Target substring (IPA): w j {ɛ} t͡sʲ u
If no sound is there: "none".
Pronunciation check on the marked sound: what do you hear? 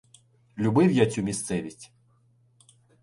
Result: a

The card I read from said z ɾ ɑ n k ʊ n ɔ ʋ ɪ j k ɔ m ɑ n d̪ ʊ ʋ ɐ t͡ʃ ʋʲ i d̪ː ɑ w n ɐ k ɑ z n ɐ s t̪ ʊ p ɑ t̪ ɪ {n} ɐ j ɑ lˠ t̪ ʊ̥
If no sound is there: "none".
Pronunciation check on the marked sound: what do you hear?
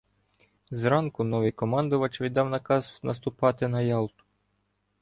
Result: n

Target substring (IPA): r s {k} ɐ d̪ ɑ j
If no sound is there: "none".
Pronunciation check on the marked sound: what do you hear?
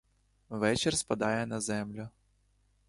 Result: p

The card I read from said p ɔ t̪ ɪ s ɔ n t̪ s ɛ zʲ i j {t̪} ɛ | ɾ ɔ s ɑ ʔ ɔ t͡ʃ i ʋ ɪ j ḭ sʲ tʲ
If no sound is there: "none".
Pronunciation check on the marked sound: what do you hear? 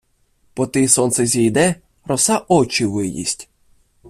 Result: d̪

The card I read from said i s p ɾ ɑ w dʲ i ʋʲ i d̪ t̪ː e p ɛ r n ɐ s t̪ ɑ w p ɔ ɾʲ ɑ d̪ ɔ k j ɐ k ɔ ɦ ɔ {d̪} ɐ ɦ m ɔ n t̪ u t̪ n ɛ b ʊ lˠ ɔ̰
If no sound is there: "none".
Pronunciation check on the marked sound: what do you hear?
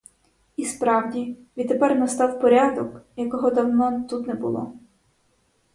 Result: d̪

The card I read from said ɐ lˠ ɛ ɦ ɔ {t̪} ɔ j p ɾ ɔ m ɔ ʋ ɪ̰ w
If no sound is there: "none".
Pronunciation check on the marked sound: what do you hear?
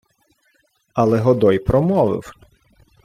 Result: d̪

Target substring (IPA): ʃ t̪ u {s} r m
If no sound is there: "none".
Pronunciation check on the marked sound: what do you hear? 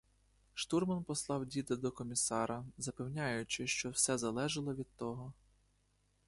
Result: none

